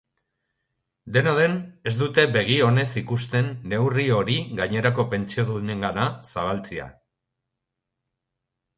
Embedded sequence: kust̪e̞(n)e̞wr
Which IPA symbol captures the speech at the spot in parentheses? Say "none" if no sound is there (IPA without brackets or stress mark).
nː